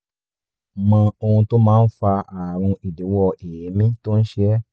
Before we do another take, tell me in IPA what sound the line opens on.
m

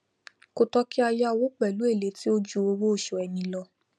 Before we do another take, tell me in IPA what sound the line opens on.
k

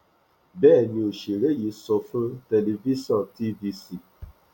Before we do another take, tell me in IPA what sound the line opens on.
b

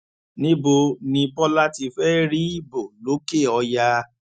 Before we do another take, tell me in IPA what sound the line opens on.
n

